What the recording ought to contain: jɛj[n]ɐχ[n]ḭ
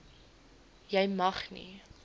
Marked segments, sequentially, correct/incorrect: incorrect, correct

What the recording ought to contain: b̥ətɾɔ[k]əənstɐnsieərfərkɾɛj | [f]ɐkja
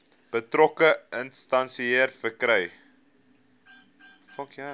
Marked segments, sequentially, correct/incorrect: correct, correct

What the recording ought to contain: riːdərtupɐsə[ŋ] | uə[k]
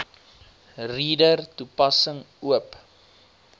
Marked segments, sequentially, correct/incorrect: correct, incorrect

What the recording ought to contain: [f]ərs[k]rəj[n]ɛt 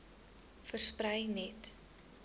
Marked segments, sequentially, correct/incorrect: correct, incorrect, correct

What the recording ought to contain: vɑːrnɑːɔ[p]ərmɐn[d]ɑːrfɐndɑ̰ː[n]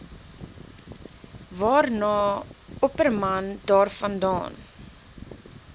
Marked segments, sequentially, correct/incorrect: correct, correct, correct

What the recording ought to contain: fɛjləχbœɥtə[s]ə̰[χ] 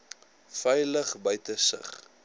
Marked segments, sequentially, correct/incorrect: correct, correct

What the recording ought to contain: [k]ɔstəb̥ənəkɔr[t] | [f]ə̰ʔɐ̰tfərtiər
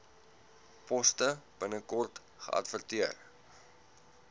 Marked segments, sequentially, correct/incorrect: incorrect, correct, incorrect

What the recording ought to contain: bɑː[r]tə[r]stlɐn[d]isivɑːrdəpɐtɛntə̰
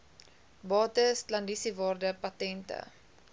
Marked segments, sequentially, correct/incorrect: incorrect, incorrect, correct

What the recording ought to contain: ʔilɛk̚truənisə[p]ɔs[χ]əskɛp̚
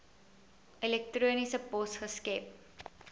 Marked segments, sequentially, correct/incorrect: correct, correct

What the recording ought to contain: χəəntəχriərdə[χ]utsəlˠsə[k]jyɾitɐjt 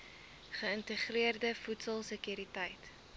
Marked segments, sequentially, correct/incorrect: incorrect, correct

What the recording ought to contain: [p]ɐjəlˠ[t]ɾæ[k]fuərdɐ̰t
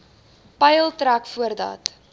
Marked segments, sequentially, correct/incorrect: correct, correct, correct

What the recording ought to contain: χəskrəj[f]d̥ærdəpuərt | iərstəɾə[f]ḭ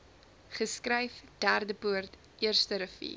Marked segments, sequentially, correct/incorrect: correct, correct

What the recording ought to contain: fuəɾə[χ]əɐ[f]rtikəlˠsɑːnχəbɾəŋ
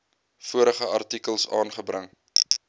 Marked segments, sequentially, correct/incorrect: correct, incorrect

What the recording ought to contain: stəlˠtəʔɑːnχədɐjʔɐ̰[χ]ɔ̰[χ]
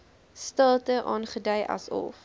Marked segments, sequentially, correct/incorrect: incorrect, incorrect

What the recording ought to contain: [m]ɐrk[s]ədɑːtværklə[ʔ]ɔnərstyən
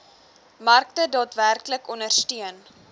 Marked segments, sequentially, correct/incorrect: correct, incorrect, incorrect

